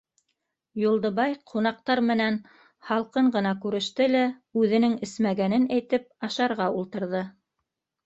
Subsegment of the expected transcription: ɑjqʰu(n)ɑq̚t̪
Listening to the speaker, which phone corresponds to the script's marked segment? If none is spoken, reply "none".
n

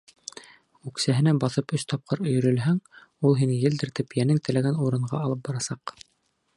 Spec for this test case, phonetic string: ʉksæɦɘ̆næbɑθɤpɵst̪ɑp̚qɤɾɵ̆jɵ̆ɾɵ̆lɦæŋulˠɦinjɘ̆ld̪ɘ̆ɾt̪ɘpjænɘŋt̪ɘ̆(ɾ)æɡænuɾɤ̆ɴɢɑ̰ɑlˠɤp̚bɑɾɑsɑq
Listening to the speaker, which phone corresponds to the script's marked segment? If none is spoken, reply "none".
l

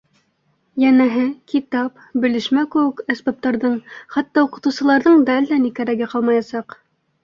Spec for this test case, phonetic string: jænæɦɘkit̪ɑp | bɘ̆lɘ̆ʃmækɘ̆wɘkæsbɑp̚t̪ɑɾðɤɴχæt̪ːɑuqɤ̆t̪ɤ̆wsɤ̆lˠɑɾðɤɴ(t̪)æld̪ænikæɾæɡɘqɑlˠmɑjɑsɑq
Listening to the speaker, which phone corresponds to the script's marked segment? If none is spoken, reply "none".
d̪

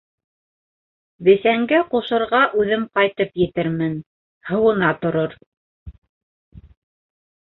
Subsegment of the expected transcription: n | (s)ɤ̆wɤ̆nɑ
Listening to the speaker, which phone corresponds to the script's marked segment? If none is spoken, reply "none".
h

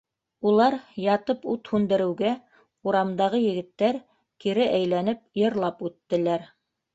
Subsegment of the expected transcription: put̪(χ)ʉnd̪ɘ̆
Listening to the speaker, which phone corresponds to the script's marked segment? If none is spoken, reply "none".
h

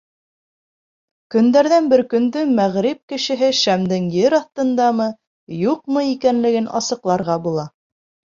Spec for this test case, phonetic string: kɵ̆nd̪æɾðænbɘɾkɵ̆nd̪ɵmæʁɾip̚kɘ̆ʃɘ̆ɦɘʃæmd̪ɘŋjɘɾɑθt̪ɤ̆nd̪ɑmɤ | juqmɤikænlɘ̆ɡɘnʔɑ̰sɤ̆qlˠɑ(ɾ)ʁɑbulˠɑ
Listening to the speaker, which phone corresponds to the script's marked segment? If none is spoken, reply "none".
ɾ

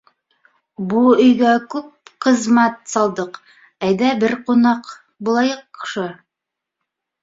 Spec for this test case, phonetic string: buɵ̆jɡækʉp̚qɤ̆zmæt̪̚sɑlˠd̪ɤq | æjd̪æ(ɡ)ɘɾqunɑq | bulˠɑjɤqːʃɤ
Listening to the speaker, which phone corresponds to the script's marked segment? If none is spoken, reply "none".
b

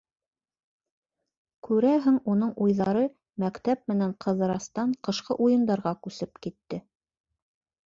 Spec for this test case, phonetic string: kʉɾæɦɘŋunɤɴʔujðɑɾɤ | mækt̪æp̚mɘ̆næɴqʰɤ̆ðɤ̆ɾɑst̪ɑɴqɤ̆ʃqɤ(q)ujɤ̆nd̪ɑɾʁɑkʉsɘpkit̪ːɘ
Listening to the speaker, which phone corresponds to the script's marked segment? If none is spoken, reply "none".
ʔ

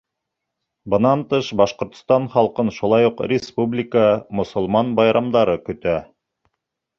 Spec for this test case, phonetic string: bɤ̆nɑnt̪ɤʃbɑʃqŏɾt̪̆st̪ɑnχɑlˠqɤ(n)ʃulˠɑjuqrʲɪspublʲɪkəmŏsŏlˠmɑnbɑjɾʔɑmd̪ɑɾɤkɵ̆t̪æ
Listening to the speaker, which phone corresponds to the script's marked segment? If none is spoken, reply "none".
n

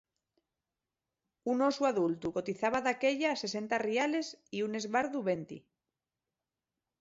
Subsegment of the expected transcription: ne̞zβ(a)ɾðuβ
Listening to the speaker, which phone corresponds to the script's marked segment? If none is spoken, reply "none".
a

